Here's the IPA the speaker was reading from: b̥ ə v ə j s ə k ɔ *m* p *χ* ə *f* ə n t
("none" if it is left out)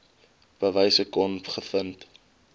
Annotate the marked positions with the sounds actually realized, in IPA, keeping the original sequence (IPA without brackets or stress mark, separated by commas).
n, χ, f